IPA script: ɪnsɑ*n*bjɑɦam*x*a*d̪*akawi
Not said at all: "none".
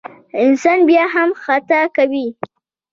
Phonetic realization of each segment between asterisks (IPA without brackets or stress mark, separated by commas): n, x, t̪